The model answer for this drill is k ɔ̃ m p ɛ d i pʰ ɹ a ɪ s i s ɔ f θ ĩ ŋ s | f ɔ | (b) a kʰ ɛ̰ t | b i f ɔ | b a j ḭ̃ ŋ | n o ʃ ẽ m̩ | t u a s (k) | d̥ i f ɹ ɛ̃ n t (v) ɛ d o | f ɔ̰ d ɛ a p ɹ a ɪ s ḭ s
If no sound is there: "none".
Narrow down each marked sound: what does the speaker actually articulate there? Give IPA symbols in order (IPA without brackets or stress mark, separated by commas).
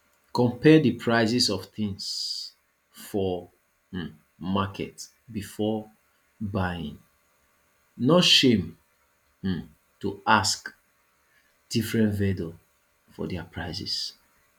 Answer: m, k, v